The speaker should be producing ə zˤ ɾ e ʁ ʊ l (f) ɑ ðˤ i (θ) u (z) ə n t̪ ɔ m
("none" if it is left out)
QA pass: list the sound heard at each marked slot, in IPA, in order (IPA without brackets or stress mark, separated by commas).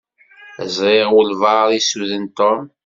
v, s, ð